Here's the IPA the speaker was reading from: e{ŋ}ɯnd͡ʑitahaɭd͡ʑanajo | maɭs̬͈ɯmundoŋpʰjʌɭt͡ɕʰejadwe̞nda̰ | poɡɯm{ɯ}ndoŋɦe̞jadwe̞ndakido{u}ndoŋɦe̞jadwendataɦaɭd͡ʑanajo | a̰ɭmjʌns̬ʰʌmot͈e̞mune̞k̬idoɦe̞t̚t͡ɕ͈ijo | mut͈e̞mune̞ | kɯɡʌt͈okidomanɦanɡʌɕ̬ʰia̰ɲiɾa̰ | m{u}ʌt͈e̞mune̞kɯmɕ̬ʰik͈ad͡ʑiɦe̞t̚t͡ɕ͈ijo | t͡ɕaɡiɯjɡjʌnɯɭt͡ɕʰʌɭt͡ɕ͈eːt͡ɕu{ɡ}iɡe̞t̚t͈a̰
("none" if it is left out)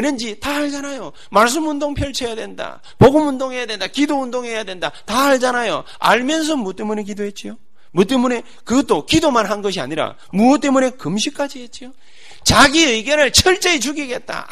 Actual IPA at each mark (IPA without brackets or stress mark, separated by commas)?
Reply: n, u, u, u, ɡ